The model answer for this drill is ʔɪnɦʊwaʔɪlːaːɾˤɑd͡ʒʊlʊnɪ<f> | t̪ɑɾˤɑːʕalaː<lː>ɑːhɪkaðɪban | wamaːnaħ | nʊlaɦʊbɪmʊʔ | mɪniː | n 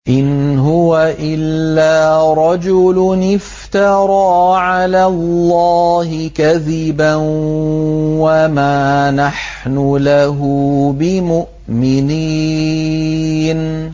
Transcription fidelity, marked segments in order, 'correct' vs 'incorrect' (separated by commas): correct, correct